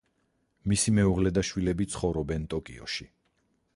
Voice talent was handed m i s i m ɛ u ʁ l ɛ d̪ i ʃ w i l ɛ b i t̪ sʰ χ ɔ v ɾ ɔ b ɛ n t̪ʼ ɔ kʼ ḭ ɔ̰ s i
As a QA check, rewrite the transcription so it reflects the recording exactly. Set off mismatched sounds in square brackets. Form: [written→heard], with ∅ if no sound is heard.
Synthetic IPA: m i s i m ɛ u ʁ l ɛ d̪ [i→a] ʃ w i l ɛ b i t̪ sʰ χ ɔ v ɾ ɔ b ɛ n t̪ʼ ɔ kʼ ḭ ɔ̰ [s→ʃ] i